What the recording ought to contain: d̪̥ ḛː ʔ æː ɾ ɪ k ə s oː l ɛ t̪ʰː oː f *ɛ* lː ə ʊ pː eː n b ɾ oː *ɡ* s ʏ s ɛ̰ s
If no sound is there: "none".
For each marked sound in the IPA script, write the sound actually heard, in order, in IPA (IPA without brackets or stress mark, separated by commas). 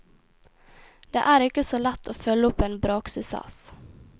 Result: œ, k